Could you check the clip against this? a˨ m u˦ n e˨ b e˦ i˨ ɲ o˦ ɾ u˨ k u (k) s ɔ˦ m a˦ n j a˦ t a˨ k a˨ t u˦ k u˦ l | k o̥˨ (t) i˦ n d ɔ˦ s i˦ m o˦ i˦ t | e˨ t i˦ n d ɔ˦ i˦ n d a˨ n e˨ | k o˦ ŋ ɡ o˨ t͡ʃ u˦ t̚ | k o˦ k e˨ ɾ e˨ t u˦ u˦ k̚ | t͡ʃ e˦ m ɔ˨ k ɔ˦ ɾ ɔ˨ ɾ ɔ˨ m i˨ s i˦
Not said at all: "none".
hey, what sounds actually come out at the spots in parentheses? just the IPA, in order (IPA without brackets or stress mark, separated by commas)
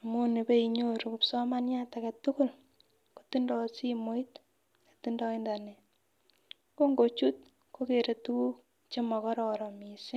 p, t